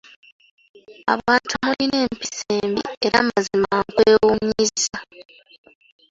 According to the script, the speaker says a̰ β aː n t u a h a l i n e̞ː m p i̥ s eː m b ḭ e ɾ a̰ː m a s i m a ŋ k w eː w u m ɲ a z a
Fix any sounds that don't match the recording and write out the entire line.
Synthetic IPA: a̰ β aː n t u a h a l i n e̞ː m p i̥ s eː m b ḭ e ɾ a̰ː m a z i m a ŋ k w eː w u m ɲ i z a